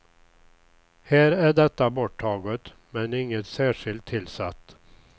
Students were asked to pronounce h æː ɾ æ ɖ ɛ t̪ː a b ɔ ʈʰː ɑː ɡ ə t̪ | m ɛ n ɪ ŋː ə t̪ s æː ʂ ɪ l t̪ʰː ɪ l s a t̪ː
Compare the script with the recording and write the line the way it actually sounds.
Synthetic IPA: h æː ɾ æ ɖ ɛ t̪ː a b ɔ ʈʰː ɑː ɡ ə t̪ | m ɛ n ɪ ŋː ə t̪ s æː ʂ ɪ l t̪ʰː ɪ l s a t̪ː